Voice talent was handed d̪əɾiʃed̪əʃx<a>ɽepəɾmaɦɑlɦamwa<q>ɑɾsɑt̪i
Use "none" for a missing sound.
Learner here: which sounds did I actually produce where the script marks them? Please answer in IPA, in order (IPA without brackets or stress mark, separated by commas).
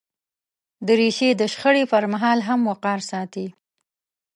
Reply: ə, q